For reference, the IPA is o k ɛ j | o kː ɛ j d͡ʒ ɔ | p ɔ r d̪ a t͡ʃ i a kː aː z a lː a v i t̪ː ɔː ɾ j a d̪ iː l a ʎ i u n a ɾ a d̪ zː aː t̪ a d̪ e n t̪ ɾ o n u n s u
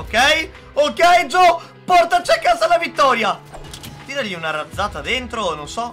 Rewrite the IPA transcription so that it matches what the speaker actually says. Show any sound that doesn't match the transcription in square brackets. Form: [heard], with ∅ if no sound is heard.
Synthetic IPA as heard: o k ɛ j | o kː ɛ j d͡ʒ ɔ | p ɔ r [t̪] a t͡ʃ i a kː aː z a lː a v i t̪ː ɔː ɾ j a [t̪] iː [ɾ] a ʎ i u n a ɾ a d̪ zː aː t̪ a d̪ e n t̪ ɾ o n [o] n s [ɔ]